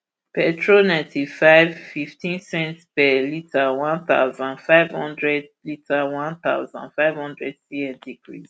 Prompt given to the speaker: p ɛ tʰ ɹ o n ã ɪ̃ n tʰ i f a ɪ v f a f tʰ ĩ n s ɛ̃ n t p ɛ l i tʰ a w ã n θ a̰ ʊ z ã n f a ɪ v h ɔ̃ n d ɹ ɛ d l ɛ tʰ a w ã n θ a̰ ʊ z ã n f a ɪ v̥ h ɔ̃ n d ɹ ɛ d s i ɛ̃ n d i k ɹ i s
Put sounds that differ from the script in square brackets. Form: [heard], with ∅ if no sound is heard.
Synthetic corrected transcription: p ɛ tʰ ɹ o n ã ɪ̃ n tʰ i f a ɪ v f [i] f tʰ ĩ n s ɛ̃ n t p ɛ l i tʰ a w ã n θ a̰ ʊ z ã n f a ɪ v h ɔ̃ n d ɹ ɛ d l [i] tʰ a w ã n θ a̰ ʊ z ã n f a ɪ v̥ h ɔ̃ n d ɹ ɛ d s i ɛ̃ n d i k ɹ i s